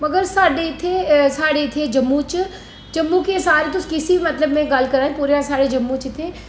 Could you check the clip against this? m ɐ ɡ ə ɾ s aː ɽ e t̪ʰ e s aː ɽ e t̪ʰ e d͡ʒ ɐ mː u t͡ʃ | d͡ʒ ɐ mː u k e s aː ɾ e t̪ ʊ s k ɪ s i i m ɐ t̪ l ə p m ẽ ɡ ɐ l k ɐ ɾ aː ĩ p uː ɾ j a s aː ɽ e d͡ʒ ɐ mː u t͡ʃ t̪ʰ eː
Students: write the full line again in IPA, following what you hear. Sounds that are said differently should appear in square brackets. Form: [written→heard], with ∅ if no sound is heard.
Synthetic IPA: m ɐ ɡ ə ɾ s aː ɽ e t̪ʰ e s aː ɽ e t̪ʰ e d͡ʒ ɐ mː u t͡ʃ | d͡ʒ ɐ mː u k e s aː ɾ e t̪ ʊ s k ɪ s i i m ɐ t̪ l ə [p→b] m ẽ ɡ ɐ l k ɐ ɾ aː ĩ p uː ɾ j a s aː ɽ e d͡ʒ ɐ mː u t͡ʃ t̪ʰ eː